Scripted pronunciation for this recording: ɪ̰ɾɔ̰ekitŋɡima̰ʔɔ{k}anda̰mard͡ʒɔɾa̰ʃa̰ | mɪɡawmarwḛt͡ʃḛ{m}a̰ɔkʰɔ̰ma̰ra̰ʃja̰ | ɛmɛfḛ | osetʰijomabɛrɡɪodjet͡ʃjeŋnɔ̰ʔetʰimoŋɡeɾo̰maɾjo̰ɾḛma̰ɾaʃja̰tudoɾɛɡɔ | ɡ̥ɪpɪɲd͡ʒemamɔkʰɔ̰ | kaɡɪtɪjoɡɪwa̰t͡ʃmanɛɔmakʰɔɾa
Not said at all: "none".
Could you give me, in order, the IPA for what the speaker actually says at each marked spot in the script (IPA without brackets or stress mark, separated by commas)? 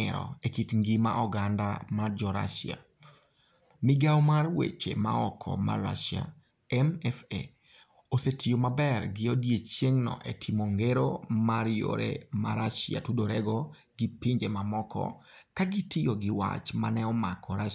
ɡ, m